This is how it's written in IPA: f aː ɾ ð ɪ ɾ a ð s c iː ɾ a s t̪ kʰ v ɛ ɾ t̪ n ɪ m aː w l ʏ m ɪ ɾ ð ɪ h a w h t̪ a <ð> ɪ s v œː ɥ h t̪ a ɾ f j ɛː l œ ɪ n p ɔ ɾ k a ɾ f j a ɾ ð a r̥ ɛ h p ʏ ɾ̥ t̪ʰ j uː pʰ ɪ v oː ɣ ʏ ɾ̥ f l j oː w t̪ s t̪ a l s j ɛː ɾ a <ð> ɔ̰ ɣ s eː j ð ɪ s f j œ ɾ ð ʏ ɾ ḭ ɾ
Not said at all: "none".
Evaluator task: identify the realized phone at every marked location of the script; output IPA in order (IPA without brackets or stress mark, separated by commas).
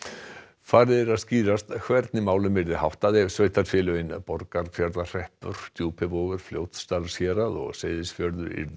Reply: ð, ð